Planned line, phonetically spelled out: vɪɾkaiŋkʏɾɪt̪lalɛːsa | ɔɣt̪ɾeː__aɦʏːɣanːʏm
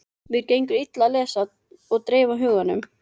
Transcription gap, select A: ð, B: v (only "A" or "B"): B